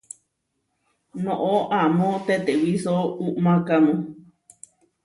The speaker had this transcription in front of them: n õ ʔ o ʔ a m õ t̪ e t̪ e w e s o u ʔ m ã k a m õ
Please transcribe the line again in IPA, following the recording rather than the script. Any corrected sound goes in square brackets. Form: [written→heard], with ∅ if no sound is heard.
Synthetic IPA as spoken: n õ ʔ o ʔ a m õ t̪ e t̪ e w [e→i] s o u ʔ m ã k a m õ